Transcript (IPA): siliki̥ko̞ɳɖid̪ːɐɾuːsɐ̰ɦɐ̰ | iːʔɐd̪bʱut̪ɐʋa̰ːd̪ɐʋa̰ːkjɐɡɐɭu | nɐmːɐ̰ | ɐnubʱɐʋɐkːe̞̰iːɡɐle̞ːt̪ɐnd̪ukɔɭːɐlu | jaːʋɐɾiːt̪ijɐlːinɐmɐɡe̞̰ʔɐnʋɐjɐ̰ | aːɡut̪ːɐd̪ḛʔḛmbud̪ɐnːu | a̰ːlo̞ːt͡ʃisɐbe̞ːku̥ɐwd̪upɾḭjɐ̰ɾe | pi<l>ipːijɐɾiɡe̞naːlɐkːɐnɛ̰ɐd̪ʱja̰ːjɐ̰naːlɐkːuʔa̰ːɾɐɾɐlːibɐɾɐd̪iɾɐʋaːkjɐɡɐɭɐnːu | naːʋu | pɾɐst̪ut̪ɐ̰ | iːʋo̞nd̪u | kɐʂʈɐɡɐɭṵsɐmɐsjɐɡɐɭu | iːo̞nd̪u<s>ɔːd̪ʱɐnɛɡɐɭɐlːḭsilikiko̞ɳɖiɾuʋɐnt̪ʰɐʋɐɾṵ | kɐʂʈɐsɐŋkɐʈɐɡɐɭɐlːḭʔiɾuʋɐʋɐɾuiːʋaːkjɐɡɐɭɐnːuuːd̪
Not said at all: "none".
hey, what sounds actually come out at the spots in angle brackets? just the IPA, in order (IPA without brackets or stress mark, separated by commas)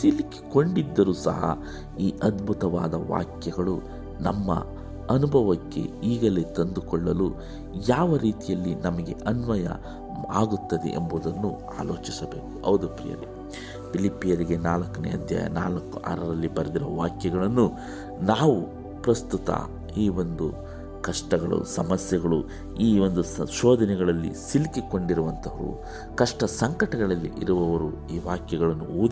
l, ʃ